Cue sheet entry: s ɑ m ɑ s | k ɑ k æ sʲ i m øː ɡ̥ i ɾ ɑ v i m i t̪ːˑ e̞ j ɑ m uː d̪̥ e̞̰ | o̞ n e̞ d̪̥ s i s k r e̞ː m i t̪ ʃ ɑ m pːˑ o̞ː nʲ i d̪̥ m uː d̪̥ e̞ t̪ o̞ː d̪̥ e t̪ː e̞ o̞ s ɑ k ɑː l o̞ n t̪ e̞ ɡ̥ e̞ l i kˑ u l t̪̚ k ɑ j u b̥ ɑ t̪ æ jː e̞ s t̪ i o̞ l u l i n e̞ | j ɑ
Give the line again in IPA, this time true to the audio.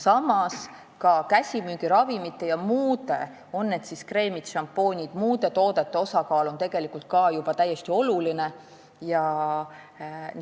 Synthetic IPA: s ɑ m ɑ s | k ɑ k æ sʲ i m yː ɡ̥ i ɾ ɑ v i m i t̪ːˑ e̞ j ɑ m uː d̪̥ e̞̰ | o̞ nː e̞ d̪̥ s i s k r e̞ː m i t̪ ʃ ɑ m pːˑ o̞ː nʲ i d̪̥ m uː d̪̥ e̞ t̪ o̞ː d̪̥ e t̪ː e̞ o̞ s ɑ k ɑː l o̞ n t̪ e̞ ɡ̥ e̞ l i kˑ u l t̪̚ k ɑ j u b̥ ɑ t̪ æ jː e̞ s t̪ i o̞ l u l i n e̞ | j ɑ